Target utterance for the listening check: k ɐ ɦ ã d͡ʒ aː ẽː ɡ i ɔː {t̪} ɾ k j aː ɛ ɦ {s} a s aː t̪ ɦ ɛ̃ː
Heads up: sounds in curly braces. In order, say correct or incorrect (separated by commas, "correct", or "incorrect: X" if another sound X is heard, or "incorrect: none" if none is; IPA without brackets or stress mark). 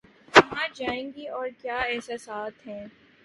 incorrect: none, correct